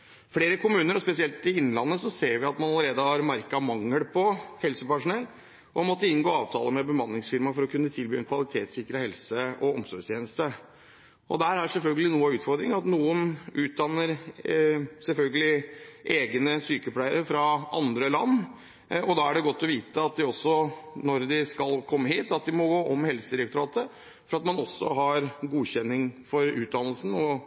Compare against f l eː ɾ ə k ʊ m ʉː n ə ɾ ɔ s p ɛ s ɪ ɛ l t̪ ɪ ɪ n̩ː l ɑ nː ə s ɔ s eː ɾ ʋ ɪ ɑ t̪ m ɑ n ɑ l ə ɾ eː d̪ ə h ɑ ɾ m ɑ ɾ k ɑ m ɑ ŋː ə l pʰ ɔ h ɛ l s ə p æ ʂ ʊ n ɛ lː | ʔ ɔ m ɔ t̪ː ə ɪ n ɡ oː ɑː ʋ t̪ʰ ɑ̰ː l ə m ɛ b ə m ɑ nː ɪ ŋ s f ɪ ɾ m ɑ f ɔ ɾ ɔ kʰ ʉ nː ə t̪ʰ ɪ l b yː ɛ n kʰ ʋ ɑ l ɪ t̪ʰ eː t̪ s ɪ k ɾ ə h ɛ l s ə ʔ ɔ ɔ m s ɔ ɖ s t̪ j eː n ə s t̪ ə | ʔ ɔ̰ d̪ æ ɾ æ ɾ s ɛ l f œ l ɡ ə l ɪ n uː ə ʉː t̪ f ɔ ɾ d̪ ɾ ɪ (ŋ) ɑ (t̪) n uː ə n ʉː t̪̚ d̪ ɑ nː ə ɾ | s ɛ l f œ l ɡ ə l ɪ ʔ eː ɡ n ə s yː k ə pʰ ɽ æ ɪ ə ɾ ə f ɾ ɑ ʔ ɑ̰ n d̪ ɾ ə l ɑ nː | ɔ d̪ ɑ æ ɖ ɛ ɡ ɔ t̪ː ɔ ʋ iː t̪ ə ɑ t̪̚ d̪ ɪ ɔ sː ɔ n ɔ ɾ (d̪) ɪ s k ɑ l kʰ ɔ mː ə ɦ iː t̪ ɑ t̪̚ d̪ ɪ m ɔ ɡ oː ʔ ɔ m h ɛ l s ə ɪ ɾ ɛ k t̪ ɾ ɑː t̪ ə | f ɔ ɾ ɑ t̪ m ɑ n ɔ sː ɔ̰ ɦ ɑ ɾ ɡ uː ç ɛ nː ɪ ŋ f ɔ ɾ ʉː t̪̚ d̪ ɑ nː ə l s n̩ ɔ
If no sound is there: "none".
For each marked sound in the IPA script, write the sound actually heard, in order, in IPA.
ŋ, t̪, d̪

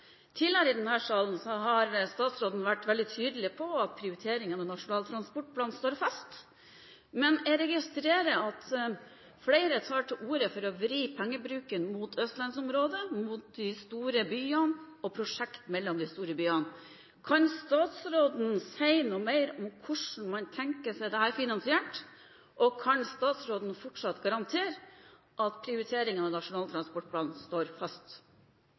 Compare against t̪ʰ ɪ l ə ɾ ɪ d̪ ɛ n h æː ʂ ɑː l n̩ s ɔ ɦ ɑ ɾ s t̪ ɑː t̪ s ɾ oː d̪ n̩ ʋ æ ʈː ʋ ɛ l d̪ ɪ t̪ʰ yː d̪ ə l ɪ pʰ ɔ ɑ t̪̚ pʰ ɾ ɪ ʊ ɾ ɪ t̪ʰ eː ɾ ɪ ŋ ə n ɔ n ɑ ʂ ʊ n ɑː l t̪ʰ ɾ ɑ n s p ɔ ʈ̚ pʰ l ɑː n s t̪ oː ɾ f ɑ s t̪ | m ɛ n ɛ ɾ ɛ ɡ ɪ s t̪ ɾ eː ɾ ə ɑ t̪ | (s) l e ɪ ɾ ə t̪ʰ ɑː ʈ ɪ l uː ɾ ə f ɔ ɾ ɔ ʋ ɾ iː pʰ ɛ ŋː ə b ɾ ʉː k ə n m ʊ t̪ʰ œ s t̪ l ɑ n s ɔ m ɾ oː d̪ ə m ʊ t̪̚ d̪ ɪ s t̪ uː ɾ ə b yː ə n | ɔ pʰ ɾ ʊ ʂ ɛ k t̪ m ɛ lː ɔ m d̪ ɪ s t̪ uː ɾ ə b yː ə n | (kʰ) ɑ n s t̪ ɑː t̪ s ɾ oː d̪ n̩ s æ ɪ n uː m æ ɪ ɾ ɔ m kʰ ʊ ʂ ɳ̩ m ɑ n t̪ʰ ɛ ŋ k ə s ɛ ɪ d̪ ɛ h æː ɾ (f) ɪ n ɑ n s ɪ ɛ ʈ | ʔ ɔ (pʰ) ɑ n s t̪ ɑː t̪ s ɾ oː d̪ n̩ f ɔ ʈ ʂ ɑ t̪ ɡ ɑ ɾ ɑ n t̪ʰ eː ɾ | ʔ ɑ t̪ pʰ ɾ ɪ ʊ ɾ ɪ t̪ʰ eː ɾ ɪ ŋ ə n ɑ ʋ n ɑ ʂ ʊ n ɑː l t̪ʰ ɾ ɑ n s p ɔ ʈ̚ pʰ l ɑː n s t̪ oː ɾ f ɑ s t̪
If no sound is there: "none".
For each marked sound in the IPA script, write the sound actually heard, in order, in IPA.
f, kʰ, f, kʰ

